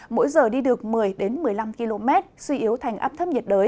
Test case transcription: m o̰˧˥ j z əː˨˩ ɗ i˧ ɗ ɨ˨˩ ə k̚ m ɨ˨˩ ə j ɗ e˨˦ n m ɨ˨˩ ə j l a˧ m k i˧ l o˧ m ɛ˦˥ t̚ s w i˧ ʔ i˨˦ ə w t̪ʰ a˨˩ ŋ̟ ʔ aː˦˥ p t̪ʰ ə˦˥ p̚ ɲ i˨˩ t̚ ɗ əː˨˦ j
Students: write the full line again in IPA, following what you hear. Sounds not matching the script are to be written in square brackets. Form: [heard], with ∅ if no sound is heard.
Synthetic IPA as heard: m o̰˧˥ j z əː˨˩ ɗ i˧ ɗ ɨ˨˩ ə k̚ m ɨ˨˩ ə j ɗ e˨˦ n m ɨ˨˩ ə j l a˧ m k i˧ l o˧ m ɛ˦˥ t̚ s w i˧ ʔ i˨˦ ə w t̪ʰ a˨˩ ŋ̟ ʔ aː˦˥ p t̪ʰ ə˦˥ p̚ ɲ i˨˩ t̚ ɗ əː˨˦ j